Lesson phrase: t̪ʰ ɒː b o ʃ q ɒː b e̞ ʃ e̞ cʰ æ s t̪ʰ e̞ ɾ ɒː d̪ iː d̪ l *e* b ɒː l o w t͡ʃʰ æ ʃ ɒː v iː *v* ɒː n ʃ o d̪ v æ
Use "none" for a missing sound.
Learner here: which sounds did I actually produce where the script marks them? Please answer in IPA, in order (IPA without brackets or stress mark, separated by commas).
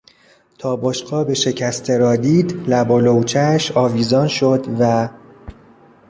æ, z